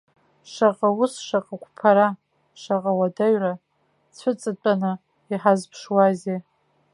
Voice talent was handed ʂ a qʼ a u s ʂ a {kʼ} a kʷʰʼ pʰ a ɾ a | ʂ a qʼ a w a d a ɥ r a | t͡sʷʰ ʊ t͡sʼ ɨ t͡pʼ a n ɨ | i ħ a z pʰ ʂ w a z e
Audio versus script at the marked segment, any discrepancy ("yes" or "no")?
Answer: yes